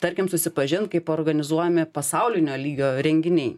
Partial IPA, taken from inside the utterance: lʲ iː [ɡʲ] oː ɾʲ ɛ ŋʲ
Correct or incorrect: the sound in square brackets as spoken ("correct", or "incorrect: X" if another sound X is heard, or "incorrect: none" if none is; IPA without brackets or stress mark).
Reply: correct